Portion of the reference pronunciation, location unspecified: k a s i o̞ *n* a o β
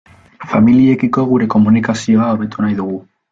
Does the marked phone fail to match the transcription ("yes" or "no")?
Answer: yes